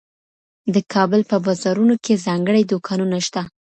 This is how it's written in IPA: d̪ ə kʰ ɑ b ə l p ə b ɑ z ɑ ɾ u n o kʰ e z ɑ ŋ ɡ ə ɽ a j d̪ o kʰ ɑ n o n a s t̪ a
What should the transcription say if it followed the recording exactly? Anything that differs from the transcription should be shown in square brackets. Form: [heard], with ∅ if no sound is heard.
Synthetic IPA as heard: d̪ ə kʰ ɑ b ə l p ə b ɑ z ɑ ɾ u n o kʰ e z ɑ ŋ ɡ ə ɽ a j d̪ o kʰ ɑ n [u] n a [ʃ] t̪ a

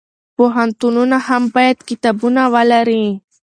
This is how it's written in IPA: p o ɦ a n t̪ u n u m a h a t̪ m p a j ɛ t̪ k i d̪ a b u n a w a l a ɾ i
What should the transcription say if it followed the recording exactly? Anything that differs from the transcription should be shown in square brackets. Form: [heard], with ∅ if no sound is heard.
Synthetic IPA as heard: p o ɦ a n t̪ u n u [n] a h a [∅] m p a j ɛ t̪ k i [t̪] a b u n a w a l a ɾ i

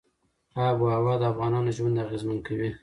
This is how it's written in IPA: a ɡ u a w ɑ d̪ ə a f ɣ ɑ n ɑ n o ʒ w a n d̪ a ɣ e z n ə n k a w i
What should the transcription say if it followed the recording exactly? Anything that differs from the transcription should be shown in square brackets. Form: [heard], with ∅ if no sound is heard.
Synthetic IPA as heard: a [b] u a w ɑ d̪ ə a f ɣ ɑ n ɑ n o ʒ w a n d̪ a ɣ e z [m] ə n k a w i

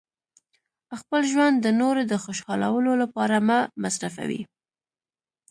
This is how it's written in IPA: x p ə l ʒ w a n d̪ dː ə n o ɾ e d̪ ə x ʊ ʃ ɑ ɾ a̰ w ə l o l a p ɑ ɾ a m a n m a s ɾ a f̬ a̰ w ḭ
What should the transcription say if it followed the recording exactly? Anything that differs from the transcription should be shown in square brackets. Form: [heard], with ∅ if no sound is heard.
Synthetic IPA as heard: x p ə l ʒ w a n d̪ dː ə n o ɾ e d̪ ə x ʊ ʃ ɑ [l] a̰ w ə l o l a p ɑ ɾ a m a [∅] m a s ɾ a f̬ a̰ w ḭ

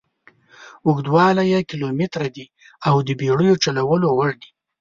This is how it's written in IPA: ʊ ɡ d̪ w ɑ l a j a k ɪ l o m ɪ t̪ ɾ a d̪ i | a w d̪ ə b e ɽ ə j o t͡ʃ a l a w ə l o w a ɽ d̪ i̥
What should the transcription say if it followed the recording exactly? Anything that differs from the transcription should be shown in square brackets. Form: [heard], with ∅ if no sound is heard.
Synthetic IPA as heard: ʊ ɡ d̪ w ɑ l a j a k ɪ l o m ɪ t̪ ɾ a d̪ i | a w d̪ ə b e ɽ ə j o t͡ʃ a l a w ə l o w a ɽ d̪ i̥

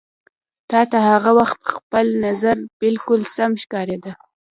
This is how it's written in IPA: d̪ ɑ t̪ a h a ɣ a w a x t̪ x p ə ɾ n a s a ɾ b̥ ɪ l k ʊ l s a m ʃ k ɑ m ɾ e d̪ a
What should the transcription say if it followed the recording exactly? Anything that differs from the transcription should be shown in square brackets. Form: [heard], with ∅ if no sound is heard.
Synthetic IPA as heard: [t̪] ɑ t̪ a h a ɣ a w a x t̪ x p ə [l] n a [z] a ɾ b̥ ɪ l k ʊ l s a m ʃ k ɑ [∅] ɾ e d̪ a

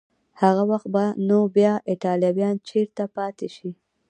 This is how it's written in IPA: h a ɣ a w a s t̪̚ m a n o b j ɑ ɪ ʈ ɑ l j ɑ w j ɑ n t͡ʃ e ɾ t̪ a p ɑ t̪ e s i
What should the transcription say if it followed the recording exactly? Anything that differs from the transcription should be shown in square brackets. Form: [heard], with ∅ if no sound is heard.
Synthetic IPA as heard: h a ɣ a w a [x] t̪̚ [b] a n o b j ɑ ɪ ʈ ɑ l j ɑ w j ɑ n t͡ʃ e ɾ t̪ a p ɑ t̪ e [ʃ] i

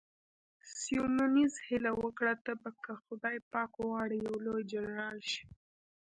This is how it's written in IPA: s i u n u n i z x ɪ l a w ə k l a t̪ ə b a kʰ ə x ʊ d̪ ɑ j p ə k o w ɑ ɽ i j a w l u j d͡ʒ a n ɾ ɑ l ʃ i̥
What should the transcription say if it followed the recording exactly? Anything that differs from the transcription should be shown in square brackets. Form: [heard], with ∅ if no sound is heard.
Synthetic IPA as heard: s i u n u n i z [h] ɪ l a w ə k [ɽ] a t̪ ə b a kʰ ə x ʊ d̪ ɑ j p [ɑ] k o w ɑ ɽ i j a w l [o] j d͡ʒ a n ɾ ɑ l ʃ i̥

